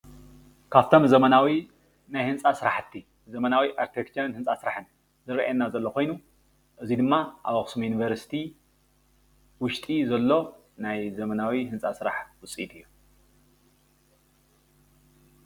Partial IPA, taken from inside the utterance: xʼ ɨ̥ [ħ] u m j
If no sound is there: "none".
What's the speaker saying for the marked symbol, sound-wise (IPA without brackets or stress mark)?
s